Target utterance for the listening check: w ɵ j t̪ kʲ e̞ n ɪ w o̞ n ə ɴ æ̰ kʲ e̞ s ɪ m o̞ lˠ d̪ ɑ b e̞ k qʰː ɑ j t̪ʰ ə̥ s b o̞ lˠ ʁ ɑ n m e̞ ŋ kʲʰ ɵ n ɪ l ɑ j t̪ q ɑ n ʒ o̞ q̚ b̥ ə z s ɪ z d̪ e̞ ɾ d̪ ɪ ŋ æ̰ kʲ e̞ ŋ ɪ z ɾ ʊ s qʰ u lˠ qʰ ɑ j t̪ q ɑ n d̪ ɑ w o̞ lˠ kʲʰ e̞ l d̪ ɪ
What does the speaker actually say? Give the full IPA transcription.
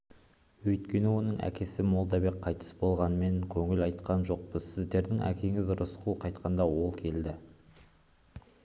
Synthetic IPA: w ɵ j t̪ kʲ e̞ n ɪ w o̞ n ə ɴ æ̰ kʲ e̞ s ɪ m o̞ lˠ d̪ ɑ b e̞ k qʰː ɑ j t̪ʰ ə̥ s b o̞ lˠ ʁ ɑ n m e̞ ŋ kʲʰ ɵ ŋ ɪ l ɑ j t̪ q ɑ n ʒ o̞ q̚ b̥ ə z s ɪ z d̪ e̞ ɾ d̪ ɪ ŋ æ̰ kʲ e̞ ŋ ɪ z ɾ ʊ s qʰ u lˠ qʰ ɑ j t̪ q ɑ n d̪ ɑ w o̞ lˠ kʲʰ e̞ l d̪ ɪ